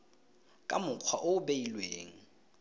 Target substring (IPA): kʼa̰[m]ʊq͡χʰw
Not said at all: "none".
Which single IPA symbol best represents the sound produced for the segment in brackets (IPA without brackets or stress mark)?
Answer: m